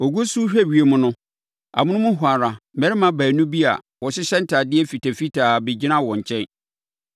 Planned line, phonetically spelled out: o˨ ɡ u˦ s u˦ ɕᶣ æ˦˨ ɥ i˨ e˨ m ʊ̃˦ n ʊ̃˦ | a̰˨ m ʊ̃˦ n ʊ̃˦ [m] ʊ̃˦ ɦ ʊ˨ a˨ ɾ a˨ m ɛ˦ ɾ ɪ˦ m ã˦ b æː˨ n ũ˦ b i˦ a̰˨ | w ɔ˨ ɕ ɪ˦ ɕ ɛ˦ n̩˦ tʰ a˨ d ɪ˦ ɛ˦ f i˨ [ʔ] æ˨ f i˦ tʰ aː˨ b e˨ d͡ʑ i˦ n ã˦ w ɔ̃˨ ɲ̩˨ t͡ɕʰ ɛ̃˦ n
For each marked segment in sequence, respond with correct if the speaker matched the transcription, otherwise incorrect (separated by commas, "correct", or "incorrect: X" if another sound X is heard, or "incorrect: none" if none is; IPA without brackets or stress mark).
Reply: correct, incorrect: t